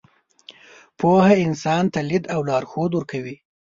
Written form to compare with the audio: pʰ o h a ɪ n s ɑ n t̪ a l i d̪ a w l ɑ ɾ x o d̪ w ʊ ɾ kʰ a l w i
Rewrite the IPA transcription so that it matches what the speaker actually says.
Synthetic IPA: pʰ o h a ɪ n s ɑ n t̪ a l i d̪ a w l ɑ ɾ x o d̪ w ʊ ɾ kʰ a w i